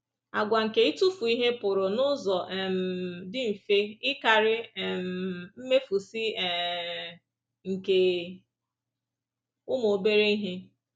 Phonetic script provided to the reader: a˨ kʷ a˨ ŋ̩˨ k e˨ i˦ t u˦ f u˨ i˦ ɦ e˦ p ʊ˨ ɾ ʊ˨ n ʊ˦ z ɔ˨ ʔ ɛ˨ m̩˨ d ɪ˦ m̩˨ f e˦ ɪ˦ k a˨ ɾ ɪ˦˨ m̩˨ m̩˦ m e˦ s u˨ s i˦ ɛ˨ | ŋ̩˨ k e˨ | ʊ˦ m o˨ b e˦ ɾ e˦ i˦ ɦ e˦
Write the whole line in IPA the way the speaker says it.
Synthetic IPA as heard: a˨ ɡʷ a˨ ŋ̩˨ k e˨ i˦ t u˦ f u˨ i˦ ɦ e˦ p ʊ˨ ɾ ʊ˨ n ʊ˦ z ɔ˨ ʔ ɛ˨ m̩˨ d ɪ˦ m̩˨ f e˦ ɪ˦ k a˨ ɾ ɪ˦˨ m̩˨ m̩˦ m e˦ f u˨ s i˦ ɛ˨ | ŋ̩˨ k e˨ | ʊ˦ m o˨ b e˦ ɾ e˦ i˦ ɦ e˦